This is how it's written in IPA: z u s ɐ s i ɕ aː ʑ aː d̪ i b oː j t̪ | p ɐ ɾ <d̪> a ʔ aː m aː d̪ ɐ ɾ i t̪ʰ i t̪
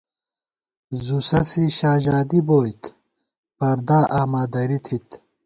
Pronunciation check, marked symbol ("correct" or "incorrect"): correct